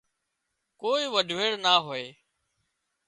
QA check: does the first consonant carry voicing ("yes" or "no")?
no